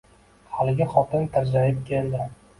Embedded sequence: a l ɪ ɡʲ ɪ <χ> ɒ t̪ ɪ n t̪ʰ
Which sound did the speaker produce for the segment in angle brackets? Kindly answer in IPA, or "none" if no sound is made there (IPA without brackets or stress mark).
χ